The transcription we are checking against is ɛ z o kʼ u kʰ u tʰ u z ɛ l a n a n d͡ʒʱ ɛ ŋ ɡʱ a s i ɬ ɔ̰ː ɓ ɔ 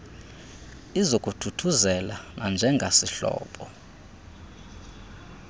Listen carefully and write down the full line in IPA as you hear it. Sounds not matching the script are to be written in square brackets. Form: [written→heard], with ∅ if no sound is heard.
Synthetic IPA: [ɛ→i] z o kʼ u [kʰ→tʰ] u tʰ u z ɛ l a n a n d͡ʒʱ ɛ ŋ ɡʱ a s i ɬ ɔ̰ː ɓ ɔ